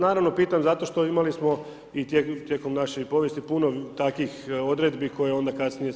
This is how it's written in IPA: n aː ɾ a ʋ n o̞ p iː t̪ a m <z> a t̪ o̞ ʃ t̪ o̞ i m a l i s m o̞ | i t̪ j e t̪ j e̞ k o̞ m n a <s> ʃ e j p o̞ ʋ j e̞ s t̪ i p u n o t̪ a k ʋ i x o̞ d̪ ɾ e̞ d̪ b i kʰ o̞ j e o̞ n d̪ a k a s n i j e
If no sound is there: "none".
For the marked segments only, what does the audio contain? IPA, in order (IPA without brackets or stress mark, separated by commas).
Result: z, none